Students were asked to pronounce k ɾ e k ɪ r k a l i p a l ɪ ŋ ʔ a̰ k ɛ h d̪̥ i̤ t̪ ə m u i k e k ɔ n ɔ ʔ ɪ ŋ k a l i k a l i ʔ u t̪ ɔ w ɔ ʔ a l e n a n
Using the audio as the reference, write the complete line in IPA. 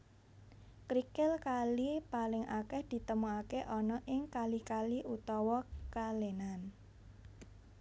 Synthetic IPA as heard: k ɾ i k ɪ l k a l i p a l ɪ ŋ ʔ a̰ k ɛ h d̪̥ i̤ t̪ ə m u a k e ʔ ɔ n ɔ ʔ ɪ ŋ k a l i k a l i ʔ u t̪ ɔ w ɔ k a l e n a n